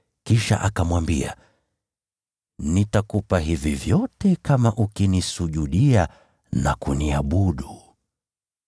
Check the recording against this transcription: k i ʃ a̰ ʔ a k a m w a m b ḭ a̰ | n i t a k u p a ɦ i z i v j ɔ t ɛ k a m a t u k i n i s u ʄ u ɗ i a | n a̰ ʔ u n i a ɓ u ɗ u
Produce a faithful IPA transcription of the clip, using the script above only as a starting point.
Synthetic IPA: k i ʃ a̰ ʔ a k a m w a m b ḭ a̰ | n i t a k u p a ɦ i v i v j ɔ t ɛ k a m a ʔ u k i n i s u ʄ u ɗ i a | n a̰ k u n i a ɓ u ɗ u